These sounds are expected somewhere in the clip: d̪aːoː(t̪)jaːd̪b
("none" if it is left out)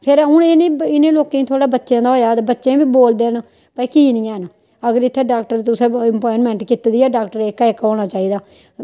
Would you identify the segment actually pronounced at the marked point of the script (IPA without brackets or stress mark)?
none